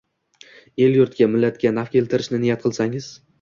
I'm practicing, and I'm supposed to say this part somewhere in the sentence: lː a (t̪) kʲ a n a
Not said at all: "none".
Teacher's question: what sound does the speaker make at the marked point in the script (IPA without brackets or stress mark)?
t̪